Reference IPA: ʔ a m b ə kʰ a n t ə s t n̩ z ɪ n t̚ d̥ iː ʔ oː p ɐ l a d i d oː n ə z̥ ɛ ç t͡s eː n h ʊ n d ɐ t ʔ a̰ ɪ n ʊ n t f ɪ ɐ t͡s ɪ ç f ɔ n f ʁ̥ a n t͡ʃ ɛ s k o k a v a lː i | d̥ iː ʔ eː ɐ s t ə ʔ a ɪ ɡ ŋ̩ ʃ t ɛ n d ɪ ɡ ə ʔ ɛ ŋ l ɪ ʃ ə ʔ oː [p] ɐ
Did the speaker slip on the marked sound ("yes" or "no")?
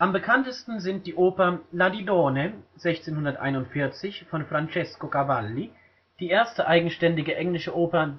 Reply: no